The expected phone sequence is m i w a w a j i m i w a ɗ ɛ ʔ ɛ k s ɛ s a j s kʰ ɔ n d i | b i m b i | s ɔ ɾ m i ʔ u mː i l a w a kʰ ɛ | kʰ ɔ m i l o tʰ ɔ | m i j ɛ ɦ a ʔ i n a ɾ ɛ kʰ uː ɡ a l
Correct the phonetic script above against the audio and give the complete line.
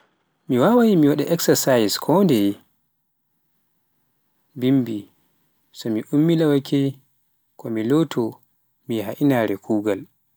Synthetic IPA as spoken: m i w a w a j i m i w a ɗ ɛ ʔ ɛ k s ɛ s a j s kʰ ɔ n d ɛ | b i m b i | s ɔ m i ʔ u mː i l a w a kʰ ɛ | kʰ ɔ m i l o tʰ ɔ | m i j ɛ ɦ a ʔ i n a ɾ ɛ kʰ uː ɡ a l